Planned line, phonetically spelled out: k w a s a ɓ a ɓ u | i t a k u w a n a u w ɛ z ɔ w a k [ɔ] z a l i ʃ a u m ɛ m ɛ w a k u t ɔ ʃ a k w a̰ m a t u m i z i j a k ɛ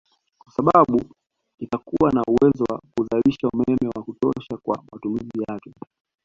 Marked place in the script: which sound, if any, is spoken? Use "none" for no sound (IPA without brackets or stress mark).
u